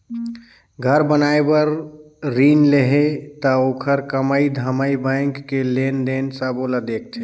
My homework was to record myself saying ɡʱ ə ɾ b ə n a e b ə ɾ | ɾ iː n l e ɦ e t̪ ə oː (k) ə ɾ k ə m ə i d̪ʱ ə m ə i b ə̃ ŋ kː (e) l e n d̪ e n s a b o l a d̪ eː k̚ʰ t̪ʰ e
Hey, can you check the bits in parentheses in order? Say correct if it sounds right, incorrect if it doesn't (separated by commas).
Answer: incorrect, correct